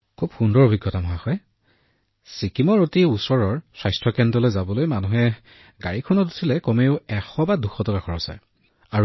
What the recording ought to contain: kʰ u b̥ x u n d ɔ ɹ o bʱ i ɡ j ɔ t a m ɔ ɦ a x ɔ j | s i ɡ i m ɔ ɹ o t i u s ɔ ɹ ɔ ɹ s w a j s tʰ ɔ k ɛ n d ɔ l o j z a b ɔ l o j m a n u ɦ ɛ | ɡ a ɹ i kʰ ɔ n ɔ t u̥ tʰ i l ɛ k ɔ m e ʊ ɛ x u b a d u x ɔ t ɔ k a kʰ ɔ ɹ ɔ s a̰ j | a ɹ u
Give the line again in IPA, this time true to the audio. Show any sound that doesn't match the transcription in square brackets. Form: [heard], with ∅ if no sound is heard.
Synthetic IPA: kʰ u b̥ x u n d ɔ ɹ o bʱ i ɡ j ɔ t a m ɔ ɦ a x ɔ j | s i [k] i m ɔ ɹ o t i u s ɔ ɹ ɔ ɹ s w a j s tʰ ɔ k ɛ n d ɔ l o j z a b ɔ l o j m a n u ɦ ɛ | ɡ a ɹ i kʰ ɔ n ɔ t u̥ tʰ i l ɛ k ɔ m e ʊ ɛ x [ɔ] b a d u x ɔ t ɔ k a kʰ ɔ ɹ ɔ s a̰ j | a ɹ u